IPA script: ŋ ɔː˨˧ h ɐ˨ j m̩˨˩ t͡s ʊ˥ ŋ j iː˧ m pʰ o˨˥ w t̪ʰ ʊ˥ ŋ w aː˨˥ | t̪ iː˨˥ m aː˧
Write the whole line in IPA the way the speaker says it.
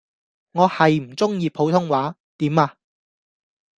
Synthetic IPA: ŋ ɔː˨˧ h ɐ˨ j m̩˨˩ t͡s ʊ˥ ŋ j iː˧ pʰ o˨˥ w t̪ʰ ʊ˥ ŋ w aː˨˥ | t̪ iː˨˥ m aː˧